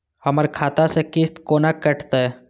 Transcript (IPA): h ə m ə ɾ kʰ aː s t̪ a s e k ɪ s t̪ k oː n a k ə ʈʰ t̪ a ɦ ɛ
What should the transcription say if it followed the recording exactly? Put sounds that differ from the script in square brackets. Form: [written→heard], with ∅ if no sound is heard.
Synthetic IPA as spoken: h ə m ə ɾ kʰ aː [s→∅] t̪ a s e k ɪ s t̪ k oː n a k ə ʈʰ t̪ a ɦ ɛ